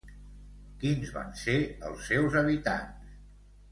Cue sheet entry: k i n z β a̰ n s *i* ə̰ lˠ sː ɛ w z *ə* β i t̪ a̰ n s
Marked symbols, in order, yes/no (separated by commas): no, yes